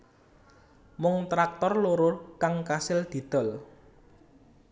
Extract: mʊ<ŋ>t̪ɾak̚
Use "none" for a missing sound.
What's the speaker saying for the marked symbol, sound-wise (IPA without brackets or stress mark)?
ŋ